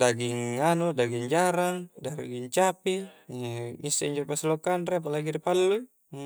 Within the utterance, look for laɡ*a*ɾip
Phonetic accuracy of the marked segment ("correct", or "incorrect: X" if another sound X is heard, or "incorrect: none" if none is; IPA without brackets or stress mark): incorrect: i